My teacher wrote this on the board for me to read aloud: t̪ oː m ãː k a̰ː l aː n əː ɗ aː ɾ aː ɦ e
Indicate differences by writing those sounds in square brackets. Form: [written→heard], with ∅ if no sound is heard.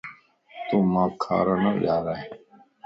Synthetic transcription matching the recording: t̪ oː m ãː [k→kʰ] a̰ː [l→ɾ] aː n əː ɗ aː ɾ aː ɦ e